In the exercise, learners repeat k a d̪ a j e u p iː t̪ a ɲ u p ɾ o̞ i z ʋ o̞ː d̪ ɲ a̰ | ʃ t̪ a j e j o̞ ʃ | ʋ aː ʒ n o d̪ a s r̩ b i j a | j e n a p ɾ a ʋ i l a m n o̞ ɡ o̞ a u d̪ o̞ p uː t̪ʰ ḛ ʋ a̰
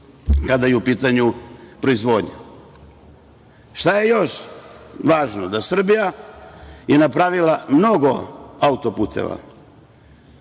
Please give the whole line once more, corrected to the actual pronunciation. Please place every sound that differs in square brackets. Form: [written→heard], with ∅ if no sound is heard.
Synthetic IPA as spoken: k a d̪ a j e u p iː t̪ a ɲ u p ɾ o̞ i z ʋ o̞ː d̪ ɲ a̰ | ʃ t̪ a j e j o̞ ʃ | ʋ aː ʒ n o d̪ a s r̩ b i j a | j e n a p ɾ a ʋ i l a m n o̞ ɡ o̞ a u [d̪→t̪] o̞ p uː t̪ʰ ḛ ʋ a̰